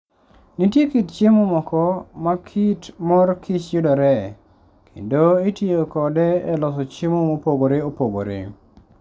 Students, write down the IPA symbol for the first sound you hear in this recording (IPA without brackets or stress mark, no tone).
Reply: n